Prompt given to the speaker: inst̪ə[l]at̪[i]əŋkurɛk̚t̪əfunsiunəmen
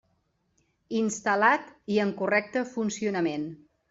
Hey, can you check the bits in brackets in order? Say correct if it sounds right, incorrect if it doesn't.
correct, correct

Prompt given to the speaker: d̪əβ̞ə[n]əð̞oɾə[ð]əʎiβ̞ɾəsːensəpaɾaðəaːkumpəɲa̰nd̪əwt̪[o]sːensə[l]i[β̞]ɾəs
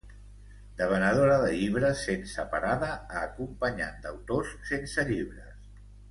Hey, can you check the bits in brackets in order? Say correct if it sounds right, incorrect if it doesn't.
correct, correct, correct, incorrect, correct

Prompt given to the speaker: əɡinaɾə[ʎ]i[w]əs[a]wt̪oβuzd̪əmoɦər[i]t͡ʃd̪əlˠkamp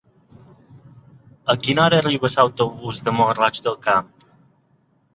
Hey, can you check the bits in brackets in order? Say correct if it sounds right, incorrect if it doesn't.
incorrect, incorrect, correct, incorrect

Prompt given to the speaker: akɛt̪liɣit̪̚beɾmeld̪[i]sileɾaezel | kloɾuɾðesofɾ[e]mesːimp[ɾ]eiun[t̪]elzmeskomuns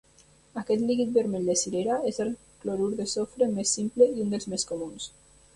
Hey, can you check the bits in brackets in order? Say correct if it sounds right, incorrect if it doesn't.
incorrect, correct, incorrect, incorrect

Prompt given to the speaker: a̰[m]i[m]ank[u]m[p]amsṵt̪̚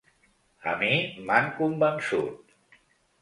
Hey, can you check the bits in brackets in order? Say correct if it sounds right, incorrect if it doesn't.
correct, correct, correct, incorrect

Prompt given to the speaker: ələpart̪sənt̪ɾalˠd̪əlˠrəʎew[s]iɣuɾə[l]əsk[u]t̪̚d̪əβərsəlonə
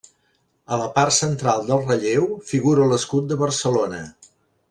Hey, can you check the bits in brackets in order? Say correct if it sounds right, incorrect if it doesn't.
incorrect, correct, correct

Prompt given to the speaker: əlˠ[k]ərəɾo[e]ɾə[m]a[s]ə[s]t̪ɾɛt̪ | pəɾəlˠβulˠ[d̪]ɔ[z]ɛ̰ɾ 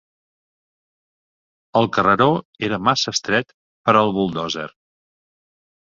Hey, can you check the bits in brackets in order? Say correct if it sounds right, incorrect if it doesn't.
correct, correct, correct, correct, correct, correct, correct

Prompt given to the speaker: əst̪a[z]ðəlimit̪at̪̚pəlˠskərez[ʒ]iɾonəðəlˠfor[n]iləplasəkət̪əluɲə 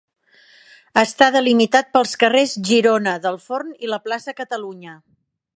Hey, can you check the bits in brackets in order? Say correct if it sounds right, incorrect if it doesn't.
incorrect, correct, correct

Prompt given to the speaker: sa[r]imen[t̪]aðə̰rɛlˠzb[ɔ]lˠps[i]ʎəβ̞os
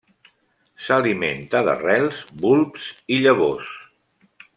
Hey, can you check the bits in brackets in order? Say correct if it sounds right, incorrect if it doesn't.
incorrect, correct, incorrect, correct

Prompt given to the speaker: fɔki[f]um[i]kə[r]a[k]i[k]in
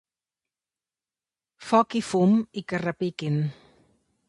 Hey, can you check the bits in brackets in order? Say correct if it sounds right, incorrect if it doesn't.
correct, correct, correct, incorrect, correct

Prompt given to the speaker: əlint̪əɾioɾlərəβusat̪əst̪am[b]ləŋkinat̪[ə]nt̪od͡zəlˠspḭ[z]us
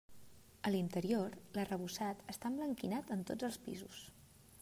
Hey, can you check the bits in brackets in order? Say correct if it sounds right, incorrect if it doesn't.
correct, correct, correct

